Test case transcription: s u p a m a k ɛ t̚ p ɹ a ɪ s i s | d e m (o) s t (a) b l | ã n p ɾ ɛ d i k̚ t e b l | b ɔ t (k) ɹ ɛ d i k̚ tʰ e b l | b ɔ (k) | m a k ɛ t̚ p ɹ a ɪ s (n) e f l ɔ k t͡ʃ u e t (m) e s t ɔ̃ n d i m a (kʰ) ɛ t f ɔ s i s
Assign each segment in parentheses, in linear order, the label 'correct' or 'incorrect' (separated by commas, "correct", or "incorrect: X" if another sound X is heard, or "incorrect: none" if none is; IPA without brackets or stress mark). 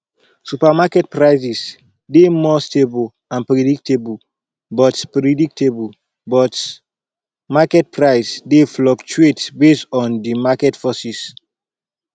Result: incorrect: ɔ, incorrect: e, incorrect: p, incorrect: t, incorrect: d, incorrect: b, incorrect: k